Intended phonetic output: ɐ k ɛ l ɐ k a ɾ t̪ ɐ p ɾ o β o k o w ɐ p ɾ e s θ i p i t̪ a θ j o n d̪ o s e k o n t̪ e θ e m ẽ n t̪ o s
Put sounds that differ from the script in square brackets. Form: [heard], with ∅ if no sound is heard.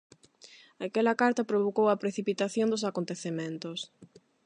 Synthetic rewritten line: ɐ k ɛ l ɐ k a ɾ t̪ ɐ p ɾ o β o k o w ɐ p ɾ e [∅] θ i p i t̪ a θ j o n d̪ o s [a] k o n t̪ e θ e m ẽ n t̪ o s